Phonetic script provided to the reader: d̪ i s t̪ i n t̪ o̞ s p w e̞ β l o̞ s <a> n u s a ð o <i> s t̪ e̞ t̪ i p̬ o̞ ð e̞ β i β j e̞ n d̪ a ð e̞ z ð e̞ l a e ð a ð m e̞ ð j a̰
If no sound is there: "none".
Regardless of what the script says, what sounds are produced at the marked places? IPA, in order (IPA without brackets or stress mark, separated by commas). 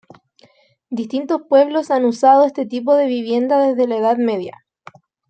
a, e